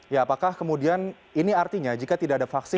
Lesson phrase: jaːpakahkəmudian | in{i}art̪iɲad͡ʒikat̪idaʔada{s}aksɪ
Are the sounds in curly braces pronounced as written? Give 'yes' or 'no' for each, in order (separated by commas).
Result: yes, no